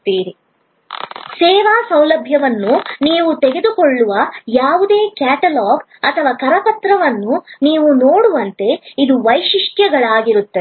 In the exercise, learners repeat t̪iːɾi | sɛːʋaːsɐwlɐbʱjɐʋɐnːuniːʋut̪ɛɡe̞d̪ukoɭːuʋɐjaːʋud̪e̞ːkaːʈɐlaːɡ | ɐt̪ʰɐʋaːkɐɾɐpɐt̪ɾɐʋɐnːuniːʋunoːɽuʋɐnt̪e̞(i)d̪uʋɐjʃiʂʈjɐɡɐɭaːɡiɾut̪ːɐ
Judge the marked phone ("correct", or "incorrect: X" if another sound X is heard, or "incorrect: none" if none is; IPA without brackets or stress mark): correct